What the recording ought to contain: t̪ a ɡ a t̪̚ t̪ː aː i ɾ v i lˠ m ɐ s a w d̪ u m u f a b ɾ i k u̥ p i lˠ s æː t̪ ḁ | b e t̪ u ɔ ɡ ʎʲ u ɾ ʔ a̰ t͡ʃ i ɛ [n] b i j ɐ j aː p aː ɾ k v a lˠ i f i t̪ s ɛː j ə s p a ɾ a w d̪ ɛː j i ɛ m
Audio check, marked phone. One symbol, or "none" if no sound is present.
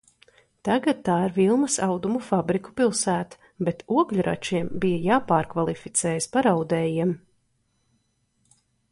m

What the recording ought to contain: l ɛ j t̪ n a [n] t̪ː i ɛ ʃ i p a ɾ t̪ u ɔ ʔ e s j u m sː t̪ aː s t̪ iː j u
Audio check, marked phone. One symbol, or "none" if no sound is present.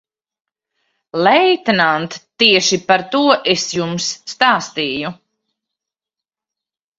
n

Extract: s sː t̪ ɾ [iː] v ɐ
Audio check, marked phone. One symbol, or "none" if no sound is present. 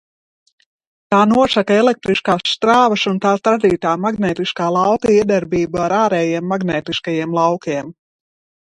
aː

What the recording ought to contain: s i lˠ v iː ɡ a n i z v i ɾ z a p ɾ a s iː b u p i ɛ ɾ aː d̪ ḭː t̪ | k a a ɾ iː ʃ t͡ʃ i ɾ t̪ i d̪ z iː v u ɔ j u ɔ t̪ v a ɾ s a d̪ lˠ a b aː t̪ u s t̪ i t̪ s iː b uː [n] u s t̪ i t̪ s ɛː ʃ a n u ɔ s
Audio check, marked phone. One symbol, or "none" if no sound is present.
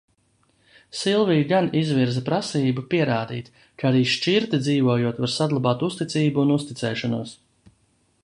n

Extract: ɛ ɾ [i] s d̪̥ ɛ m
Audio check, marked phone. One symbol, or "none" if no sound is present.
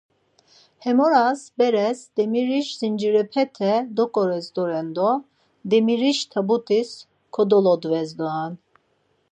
ɛ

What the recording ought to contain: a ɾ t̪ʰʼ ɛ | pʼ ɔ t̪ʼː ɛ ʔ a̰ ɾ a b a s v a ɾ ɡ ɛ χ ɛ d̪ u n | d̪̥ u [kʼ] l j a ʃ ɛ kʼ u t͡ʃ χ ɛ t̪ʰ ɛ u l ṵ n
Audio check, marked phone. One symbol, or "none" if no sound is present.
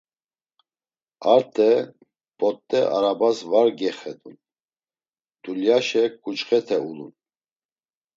none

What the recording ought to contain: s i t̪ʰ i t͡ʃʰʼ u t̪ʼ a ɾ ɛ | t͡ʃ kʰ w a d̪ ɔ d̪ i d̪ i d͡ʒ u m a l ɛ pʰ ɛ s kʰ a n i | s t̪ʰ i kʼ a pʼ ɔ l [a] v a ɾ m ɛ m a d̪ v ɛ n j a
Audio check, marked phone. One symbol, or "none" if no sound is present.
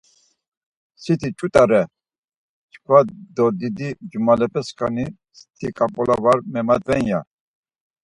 a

